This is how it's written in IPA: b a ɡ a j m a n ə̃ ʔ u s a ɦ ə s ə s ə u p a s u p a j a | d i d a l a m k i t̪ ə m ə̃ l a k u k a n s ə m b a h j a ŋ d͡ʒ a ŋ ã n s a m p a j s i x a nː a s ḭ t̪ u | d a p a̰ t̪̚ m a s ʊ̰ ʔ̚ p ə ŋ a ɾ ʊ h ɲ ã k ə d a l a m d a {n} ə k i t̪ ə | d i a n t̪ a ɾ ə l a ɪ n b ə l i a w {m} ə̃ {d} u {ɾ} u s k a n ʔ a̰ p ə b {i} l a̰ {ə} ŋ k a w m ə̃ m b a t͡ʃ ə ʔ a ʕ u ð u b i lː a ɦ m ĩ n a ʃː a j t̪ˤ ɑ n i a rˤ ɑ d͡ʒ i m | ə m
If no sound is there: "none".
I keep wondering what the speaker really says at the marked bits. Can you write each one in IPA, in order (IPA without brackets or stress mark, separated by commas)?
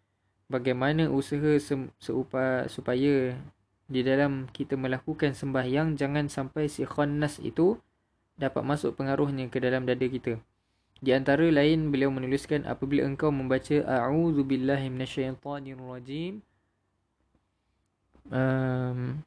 d, m, n, l, i, ə